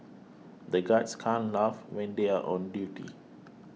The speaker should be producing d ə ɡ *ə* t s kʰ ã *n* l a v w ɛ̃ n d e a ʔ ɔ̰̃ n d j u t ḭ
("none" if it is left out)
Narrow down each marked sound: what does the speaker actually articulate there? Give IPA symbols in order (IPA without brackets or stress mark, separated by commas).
a, n